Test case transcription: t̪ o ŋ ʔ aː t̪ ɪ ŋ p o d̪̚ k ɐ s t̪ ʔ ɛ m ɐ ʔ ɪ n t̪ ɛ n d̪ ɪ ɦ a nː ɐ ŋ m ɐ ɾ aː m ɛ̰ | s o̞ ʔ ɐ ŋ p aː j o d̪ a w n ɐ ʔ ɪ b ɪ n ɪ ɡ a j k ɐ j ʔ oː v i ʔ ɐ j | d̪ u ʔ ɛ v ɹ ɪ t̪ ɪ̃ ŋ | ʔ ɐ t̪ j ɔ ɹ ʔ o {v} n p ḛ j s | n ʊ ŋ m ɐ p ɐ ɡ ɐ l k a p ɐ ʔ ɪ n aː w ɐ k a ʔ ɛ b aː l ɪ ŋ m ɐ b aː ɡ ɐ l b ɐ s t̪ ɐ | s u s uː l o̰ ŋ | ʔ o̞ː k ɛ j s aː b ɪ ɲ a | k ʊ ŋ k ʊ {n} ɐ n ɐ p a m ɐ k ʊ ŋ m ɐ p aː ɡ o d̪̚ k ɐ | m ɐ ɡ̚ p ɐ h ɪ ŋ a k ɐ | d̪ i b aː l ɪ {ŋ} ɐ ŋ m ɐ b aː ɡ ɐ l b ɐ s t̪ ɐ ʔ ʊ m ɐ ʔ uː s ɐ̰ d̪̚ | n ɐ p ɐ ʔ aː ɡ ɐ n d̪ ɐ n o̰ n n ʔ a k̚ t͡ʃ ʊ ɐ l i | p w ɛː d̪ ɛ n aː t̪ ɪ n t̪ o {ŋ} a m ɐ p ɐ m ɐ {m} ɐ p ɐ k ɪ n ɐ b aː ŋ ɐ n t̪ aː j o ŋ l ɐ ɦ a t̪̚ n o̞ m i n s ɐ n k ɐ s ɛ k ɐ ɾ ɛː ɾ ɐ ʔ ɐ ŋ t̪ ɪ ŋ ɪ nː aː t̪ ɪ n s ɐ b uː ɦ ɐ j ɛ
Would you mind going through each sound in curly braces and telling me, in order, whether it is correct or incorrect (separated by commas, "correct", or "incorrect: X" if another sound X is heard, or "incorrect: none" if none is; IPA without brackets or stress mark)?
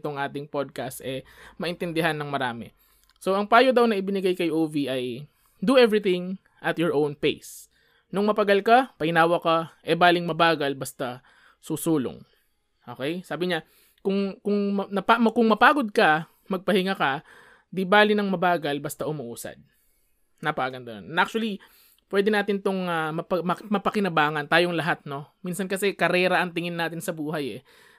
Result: incorrect: w, incorrect: ŋ, incorrect: n, correct, correct